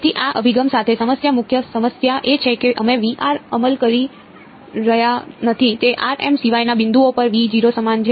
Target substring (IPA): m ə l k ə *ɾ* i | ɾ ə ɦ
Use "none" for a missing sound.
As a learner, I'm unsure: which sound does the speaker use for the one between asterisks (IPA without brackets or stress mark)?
ɾ